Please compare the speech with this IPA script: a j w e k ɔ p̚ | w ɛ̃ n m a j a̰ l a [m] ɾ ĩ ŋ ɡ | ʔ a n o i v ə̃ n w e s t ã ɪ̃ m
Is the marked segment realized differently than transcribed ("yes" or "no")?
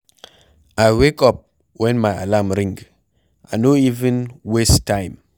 no